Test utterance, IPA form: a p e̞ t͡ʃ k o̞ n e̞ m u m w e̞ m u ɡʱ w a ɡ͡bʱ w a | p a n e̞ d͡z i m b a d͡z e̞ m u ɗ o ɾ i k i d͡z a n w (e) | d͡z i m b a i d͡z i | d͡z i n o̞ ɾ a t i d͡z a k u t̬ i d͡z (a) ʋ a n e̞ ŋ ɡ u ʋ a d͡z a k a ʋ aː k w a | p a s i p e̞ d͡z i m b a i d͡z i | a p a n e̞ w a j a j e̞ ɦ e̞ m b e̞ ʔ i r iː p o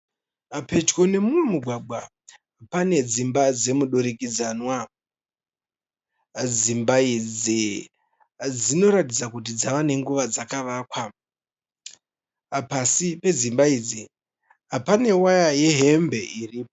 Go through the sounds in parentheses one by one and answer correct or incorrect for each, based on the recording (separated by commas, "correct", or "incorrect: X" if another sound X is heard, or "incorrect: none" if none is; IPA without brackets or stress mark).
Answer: incorrect: a, correct